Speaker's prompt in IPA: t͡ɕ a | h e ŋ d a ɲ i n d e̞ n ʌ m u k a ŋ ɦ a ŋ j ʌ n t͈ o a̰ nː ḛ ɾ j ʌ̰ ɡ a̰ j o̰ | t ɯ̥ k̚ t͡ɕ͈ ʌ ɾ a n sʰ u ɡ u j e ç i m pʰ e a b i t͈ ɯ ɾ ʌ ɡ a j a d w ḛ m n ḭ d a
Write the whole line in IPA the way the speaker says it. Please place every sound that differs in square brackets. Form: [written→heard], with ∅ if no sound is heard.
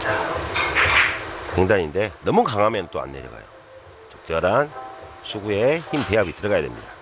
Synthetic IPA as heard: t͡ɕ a | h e ŋ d a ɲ i n d e̞ n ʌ m u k a ŋ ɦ a [ŋ→m] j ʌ n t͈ o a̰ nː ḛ ɾ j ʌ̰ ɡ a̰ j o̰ | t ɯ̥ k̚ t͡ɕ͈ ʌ ɾ a n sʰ u ɡ u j e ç i m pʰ e a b i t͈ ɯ ɾ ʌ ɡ a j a d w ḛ m [n→ɲ] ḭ d a

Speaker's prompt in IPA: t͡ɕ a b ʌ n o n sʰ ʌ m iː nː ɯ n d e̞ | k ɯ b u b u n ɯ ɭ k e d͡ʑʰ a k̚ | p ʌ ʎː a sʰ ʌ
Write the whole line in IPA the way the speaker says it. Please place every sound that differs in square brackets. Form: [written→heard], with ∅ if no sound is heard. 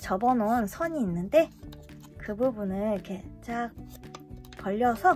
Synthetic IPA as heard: t͡ɕ [a→ʌ] b ʌ n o n sʰ ʌ [m→ɲ] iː nː ɯ n d e̞ | k ɯ b u b u n ɯ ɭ k e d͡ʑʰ a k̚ | p ʌ ʎː [a→ʌ] sʰ ʌ

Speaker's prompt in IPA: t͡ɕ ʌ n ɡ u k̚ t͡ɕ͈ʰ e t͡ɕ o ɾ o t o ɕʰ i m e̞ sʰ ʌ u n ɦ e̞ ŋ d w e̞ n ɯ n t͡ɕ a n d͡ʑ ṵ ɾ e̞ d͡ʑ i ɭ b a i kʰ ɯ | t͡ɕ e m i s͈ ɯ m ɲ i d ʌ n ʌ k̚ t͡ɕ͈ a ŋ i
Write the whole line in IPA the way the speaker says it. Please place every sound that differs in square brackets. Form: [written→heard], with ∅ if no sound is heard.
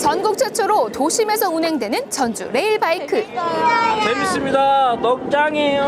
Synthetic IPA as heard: t͡ɕ ʌ n ɡ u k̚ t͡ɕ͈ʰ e [t͡ɕ→t͡ɕʰ] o ɾ o t o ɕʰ i m e̞ sʰ ʌ u n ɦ e̞ ŋ d w e̞ n ɯ n t͡ɕ [a→ʌ] n d͡ʑ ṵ ɾ e̞ [d͡ʑ→∅] i ɭ b a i kʰ ɯ | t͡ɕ e m i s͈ ɯ m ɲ i d [ʌ→a] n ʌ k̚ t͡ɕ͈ a ŋ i

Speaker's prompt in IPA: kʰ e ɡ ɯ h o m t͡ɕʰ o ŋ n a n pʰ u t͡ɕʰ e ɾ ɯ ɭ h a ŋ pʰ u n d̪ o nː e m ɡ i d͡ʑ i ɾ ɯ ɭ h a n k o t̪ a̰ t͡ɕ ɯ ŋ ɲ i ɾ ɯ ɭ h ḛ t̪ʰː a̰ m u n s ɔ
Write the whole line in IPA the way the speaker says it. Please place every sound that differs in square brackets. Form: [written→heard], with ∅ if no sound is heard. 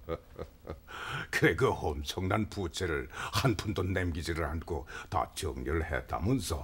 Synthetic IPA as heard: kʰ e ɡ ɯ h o m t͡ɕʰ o ŋ n a n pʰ u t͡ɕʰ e ɾ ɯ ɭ h a [ŋ→n] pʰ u n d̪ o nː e m ɡ i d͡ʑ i ɾ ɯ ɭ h a n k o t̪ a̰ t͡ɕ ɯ ŋ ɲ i ɾ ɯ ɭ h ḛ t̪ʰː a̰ m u n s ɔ

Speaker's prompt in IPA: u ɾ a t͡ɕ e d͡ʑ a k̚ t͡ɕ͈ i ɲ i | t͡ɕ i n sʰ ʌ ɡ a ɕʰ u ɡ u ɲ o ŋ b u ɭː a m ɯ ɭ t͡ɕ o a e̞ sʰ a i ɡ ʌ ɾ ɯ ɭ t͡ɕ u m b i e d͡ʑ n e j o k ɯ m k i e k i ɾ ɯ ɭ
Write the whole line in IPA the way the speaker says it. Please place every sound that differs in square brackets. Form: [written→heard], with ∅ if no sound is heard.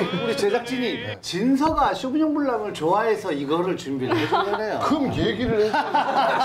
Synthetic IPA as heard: u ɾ [a→i] t͡ɕ e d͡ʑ a k̚ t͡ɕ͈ i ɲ i | t͡ɕ i n sʰ ʌ ɡ a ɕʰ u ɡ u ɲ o ŋ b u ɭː a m ɯ ɭ t͡ɕ o a e̞ sʰ [a→ʌ] i ɡ ʌ ɾ ɯ ɭ t͡ɕ u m b i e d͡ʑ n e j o k ɯ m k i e [k→ɡ] i ɾ ɯ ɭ

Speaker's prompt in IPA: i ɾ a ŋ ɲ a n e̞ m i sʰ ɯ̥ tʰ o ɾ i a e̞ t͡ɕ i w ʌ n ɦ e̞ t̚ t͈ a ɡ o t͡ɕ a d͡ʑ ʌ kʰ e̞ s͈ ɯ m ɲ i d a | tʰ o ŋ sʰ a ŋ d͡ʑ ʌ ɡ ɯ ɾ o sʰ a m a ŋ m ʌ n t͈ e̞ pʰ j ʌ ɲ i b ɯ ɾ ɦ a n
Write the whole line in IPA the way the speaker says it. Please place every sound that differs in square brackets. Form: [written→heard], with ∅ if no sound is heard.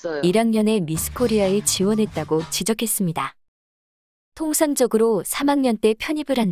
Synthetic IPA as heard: i ɾ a ŋ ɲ [a→ʌ] n e̞ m i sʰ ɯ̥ [tʰ→kʰ] o ɾ i a e̞ t͡ɕ i w ʌ n ɦ e̞ t̚ t͈ a ɡ o t͡ɕ [a→i] d͡ʑ ʌ kʰ e̞ s͈ ɯ m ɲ i d a | tʰ o ŋ sʰ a ŋ d͡ʑ ʌ ɡ ɯ ɾ o sʰ a m a ŋ [m→ɲ] ʌ n t͈ e̞ pʰ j ʌ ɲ i b ɯ ɾ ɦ a n

